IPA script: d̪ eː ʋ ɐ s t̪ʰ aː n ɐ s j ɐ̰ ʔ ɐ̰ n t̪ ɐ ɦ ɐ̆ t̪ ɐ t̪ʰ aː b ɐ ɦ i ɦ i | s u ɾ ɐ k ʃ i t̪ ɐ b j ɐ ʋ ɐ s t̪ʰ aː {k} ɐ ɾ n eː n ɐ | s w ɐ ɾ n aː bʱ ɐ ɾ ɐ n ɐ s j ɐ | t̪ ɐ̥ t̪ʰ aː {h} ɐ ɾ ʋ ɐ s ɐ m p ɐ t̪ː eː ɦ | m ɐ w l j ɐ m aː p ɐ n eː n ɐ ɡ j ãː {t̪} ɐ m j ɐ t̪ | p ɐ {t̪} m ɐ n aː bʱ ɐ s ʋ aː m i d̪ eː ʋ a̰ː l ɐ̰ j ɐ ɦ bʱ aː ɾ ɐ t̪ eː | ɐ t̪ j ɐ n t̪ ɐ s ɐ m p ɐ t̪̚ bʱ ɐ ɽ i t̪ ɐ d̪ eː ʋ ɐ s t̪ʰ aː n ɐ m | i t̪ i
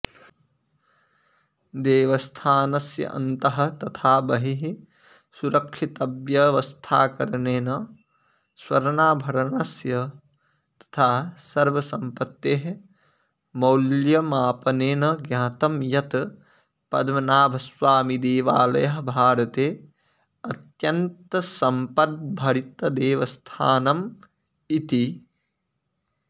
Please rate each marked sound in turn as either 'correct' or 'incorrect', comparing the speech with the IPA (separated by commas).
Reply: correct, incorrect, correct, incorrect